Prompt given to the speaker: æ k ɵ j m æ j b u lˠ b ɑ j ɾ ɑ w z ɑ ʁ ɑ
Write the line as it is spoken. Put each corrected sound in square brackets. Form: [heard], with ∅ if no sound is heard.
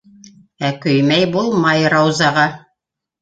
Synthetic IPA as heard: æ k ɵ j m æ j b u lˠ [m] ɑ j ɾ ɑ w z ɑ ʁ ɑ

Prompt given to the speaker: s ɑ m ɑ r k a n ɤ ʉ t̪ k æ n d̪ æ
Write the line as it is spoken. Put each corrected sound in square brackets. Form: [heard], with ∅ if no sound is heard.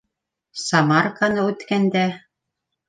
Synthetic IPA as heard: s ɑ m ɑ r k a n ɤ ʉ t̪ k æ n d̪ æ

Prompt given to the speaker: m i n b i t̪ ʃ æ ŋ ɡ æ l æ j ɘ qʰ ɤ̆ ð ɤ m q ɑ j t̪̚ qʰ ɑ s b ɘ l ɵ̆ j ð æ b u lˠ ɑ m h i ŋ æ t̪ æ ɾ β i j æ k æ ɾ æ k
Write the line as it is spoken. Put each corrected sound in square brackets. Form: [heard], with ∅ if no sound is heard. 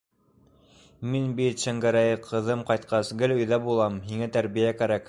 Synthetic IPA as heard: m i n b i t̪ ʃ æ ŋ ɡ æ [ɾ] æ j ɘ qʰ ɤ̆ ð ɤ m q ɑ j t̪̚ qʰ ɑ s [ɡ] ɘ l ɵ̆ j ð æ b u lˠ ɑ m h i ŋ æ t̪ æ ɾ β i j æ k æ ɾ æ k

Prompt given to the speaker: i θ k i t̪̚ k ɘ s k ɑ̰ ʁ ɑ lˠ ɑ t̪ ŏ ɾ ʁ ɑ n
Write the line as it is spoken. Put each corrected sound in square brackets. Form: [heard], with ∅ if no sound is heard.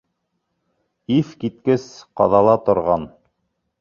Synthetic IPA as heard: i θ k i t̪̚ k ɘ s [q] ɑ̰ [ð] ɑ lˠ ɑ t̪ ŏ ɾ ʁ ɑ n

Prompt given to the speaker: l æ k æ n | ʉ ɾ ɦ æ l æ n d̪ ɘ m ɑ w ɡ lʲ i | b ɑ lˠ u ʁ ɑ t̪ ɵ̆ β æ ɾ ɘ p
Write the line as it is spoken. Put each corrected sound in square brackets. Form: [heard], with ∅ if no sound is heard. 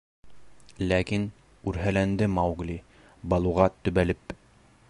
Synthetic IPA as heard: l æ k [i] n | ʉ ɾ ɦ æ l æ n d̪ ɘ m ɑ w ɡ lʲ i | b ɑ lˠ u ʁ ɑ t̪ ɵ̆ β æ [l] ɘ p

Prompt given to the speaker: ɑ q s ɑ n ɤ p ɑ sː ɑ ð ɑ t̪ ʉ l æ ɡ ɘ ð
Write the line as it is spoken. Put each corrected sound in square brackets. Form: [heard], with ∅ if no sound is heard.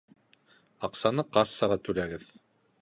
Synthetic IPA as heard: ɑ q s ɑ n ɤ [q] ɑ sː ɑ [ʁ] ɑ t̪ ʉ l æ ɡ ɘ ð

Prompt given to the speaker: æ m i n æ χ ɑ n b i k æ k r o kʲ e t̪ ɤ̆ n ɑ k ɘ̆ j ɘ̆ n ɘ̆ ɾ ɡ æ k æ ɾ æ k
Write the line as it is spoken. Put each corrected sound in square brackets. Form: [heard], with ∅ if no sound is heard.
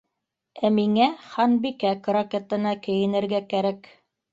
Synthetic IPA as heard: æ m i [ŋ] æ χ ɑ n b i k æ k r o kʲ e t̪ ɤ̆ n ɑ k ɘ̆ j ɘ̆ n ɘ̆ ɾ ɡ æ k æ ɾ æ k

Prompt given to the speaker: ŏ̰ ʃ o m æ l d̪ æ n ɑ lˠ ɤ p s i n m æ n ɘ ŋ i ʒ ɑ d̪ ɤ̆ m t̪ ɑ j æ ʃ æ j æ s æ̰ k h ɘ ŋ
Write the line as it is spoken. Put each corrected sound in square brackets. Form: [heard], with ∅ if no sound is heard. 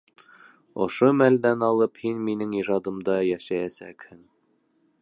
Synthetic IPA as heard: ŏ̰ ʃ o m æ l d̪ æ n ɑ lˠ ɤ p [h] i n m [i] n ɘ ŋ i ʒ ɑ d̪ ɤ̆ m [d̪] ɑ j æ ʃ æ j æ s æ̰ k h ɘ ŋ

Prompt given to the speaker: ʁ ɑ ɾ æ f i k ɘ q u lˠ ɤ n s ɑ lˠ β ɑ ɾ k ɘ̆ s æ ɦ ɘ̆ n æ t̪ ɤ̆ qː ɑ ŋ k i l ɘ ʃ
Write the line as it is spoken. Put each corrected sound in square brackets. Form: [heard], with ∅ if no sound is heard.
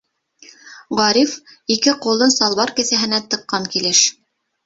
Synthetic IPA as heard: ʁ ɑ ɾ [i] f i k ɘ q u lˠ ɤ n s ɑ lˠ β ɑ ɾ k ɘ̆ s æ ɦ ɘ̆ n æ t̪ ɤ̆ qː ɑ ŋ k i l ɘ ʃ

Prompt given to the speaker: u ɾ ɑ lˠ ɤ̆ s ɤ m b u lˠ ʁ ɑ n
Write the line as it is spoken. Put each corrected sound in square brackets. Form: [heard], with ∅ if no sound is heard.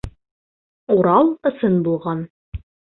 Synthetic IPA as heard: u ɾ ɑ lˠ ɤ̆ s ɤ [n] b u lˠ ʁ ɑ n

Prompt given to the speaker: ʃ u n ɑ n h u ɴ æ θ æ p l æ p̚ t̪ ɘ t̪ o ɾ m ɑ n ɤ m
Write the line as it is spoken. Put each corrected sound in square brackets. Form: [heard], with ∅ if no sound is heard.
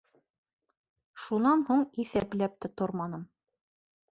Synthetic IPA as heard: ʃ u n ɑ n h u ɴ [i] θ æ p l æ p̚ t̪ ɘ t̪ o ɾ m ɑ n ɤ m

